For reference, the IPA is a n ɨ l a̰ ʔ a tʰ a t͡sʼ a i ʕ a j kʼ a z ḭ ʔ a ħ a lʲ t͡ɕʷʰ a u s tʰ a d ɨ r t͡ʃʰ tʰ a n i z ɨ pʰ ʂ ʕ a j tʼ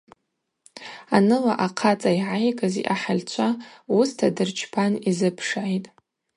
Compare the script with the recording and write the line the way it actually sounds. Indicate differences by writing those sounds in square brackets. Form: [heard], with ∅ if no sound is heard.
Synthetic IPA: a n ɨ l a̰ ʔ a [qʰ] a t͡sʼ a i ʕ a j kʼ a z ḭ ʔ a ħ a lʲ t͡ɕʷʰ a u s tʰ a d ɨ r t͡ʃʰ [pʰ] a n i z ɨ pʰ ʂ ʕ a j tʼ